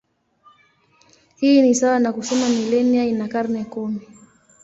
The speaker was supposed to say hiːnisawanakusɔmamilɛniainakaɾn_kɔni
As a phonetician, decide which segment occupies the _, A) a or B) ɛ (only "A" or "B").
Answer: B